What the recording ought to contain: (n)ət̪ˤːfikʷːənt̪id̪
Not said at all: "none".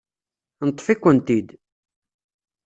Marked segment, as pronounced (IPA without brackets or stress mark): n